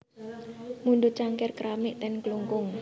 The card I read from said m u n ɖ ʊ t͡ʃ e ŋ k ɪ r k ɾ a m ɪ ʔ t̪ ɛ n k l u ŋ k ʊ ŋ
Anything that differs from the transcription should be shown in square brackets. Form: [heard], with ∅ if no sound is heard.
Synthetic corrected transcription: m u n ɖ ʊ t͡ʃ [a] ŋ k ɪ r k ɾ a m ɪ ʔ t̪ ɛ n k l u ŋ k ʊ ŋ